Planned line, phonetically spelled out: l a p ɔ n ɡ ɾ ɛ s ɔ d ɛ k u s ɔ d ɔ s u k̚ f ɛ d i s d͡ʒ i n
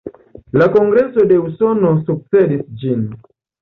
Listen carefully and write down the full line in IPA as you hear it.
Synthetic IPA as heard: l a k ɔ ŋ ɡ ɾ ɛ s ɔ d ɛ u s ɔ n ɔ s u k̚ s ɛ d i s d͡ʒ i n